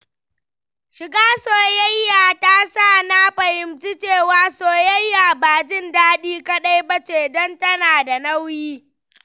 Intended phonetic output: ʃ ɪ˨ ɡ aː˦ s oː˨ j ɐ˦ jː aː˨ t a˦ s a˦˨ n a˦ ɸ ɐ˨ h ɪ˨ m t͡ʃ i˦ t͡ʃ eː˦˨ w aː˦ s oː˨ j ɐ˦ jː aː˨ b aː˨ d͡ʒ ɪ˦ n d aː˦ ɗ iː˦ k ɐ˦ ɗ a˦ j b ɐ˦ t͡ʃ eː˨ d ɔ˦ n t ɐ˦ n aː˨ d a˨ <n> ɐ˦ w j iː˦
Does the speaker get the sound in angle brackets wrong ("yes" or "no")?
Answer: no